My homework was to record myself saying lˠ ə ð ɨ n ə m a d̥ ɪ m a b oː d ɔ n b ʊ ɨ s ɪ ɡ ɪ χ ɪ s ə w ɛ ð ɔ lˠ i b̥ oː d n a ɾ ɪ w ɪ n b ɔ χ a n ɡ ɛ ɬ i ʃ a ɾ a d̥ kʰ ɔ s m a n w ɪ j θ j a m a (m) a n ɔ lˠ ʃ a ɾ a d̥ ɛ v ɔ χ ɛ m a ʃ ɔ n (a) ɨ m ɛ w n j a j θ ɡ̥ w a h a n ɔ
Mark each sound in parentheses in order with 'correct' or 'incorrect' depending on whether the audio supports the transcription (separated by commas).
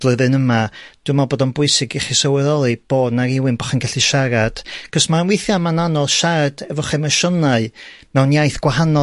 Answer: incorrect, correct